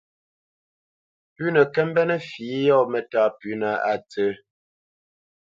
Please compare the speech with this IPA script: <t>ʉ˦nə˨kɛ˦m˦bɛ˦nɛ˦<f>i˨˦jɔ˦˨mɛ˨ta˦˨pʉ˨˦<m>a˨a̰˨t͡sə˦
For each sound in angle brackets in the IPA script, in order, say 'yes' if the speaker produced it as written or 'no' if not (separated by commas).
no, yes, no